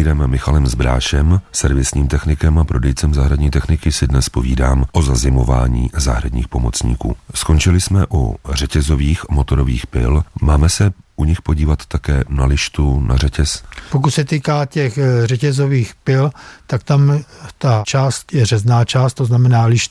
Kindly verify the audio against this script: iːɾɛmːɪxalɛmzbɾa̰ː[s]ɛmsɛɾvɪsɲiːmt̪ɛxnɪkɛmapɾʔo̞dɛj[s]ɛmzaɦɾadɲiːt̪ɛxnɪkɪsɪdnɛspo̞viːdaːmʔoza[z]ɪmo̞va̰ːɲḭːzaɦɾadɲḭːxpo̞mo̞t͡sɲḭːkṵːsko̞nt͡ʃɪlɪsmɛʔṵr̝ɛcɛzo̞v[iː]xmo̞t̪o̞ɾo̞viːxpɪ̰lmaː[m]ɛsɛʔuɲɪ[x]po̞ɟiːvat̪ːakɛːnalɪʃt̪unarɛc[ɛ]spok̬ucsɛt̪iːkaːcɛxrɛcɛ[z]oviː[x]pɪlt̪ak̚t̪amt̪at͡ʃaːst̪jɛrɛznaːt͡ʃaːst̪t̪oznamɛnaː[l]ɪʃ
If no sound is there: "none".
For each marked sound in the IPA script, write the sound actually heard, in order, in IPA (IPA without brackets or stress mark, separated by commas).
ʃ, t͡s, z, iː, m, x, ɛ, z, x, l